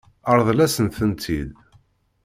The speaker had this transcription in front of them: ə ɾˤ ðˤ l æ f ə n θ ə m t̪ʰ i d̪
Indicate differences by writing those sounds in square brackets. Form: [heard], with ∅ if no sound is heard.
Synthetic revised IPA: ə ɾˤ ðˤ l æ [s] ə n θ ə [n] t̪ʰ i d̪